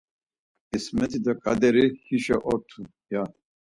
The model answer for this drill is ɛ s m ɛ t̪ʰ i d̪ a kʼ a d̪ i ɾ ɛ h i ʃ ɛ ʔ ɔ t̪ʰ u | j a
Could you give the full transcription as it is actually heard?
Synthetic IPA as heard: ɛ s m ɛ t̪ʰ i d̪ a kʼ a d̪ ɛ ɾ i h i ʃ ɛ ʔ ɔ t̪ʰ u | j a